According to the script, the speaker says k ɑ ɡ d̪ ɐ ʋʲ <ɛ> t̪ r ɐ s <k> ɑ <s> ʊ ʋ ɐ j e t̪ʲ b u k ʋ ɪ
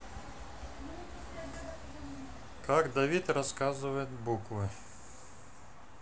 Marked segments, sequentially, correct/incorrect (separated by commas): incorrect, correct, incorrect